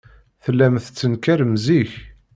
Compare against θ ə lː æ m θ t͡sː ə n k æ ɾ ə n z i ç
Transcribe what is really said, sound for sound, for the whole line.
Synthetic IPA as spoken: θ ə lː æ m θ t͡sː ə n k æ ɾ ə m z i ç